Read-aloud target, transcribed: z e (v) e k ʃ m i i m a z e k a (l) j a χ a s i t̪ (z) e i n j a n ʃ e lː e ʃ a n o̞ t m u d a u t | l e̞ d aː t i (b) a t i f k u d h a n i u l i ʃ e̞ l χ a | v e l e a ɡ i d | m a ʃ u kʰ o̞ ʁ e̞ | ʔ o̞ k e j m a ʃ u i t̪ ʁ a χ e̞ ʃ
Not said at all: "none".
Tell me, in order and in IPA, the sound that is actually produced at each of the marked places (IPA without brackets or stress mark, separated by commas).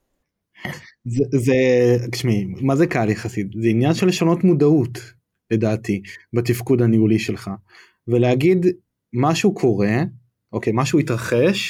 z, l, z, b